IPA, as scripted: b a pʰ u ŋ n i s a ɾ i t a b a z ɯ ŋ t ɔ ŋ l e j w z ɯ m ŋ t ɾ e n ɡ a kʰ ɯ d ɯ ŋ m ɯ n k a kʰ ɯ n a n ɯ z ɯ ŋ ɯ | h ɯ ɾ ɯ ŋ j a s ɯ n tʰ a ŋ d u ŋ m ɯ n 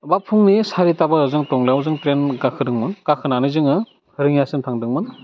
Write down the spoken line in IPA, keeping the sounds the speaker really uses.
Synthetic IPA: b a pʰ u ŋ n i s a ɾ i t a b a z ɯ ŋ t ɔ ŋ l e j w z ɯ ŋ t ɾ e n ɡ a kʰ ɯ d ɯ ŋ m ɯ n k a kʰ ɯ n a n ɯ z ɯ ŋ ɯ | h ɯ ɾ ɯ ŋ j a s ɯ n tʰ a ŋ d ɯ ŋ m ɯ n

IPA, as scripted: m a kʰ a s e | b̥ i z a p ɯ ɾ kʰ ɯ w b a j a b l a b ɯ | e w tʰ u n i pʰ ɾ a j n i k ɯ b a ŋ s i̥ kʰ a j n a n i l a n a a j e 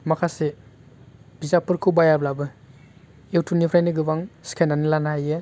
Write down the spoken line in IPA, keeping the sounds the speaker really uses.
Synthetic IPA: m a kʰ a s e | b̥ i z a p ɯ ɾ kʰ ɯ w b a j a b l a b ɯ | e w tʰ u n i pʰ ɾ a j n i ɡ ɯ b a ŋ s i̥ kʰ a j n a n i l a n a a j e

